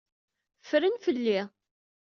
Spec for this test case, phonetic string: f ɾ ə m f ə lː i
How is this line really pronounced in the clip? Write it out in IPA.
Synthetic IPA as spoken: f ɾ ə n f ə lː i